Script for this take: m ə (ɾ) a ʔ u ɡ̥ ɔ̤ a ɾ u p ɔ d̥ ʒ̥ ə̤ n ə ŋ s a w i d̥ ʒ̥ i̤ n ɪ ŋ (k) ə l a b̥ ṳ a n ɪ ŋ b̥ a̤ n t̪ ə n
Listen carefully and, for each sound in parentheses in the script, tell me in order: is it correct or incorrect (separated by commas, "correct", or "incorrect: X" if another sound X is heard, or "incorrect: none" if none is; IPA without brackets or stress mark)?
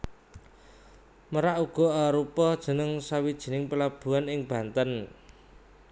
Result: correct, incorrect: p